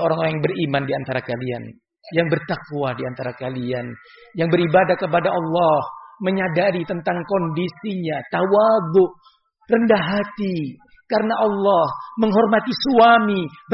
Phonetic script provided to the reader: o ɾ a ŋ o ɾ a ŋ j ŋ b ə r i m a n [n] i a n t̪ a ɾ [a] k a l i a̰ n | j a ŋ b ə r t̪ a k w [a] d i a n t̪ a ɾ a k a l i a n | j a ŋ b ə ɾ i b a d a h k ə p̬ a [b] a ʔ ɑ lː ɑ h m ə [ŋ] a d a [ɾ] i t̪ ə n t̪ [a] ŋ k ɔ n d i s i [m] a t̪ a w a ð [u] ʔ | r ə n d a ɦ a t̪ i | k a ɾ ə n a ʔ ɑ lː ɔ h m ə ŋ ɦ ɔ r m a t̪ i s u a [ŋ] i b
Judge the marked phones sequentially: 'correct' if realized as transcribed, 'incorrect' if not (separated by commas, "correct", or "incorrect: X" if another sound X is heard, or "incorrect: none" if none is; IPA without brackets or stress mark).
incorrect: d, correct, correct, incorrect: d, incorrect: ɲ, correct, correct, incorrect: ɲ, incorrect: ʊ, incorrect: m